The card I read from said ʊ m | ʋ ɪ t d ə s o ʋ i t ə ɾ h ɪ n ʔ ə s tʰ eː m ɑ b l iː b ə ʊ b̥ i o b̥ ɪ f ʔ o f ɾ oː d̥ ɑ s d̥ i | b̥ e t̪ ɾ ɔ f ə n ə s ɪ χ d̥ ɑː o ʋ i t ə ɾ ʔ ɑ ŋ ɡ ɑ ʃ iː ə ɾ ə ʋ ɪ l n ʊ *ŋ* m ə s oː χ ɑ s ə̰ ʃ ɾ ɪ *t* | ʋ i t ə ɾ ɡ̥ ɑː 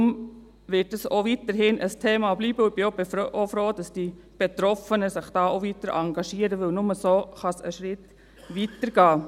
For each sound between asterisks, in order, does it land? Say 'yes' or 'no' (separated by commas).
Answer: no, yes